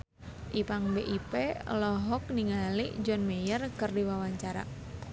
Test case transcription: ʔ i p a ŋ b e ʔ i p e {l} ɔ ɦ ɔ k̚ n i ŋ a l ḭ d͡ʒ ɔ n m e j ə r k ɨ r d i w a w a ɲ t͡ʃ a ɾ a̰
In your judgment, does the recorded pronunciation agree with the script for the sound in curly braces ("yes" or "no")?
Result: yes